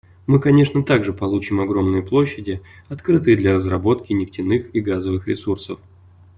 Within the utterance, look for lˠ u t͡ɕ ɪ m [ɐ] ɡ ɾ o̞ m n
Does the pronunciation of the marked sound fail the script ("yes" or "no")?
no